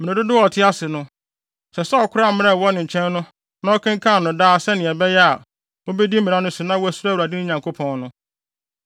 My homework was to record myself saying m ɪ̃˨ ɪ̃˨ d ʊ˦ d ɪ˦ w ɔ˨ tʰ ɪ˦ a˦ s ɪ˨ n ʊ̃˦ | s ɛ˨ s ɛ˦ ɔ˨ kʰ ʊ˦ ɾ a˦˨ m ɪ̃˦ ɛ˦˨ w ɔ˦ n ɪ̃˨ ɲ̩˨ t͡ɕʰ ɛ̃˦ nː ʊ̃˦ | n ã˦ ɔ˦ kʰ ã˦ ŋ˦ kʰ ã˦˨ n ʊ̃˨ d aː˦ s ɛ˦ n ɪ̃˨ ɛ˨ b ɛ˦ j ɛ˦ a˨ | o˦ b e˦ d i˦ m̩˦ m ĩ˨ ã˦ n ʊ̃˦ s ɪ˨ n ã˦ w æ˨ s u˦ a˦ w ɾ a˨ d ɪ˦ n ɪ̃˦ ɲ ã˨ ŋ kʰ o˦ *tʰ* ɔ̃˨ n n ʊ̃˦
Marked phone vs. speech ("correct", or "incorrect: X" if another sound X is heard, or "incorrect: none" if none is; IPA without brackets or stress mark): incorrect: pʰ